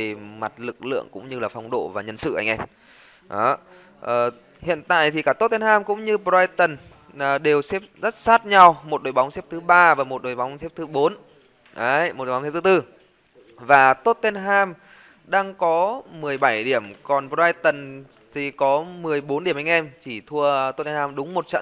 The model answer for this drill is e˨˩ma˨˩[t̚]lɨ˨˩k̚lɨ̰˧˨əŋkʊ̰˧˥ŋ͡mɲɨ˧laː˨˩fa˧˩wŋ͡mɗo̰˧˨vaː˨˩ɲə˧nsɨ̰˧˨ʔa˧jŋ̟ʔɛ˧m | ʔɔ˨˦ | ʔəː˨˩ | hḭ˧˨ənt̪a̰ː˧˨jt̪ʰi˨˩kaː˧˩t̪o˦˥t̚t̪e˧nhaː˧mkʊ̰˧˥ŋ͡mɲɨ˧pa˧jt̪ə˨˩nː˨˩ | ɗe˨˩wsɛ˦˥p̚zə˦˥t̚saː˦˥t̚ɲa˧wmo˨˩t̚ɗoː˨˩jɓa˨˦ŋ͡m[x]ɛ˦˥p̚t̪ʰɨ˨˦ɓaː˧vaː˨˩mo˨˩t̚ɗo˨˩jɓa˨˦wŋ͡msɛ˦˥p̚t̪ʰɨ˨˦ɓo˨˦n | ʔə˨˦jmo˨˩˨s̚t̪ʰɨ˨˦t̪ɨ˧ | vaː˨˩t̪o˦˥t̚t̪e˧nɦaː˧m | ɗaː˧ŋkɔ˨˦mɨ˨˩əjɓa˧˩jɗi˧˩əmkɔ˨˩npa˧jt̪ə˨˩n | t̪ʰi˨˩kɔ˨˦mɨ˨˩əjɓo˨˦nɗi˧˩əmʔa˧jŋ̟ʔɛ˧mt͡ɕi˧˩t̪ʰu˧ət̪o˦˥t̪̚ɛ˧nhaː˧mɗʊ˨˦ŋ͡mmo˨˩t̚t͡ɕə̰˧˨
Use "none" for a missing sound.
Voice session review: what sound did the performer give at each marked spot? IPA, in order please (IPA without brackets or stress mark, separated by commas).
t̚, s